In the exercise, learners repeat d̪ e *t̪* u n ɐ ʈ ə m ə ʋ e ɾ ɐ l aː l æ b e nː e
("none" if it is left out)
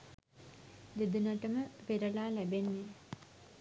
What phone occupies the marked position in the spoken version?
d̪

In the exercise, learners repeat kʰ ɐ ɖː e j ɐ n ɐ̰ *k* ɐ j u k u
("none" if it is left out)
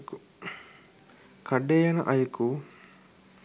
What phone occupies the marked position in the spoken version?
ʔ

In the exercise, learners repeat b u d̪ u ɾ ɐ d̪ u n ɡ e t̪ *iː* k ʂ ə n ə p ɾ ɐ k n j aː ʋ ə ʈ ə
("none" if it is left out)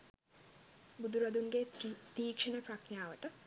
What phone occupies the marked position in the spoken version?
iː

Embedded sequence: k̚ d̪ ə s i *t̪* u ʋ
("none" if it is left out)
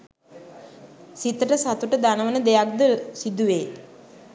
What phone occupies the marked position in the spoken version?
d̪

